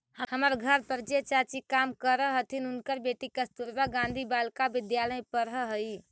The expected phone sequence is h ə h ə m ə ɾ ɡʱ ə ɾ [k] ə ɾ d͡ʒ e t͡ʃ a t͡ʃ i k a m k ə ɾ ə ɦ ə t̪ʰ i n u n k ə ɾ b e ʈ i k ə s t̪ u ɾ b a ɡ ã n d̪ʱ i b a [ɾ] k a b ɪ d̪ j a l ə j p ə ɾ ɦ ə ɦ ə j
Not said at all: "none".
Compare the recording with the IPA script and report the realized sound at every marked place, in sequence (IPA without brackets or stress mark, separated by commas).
p, l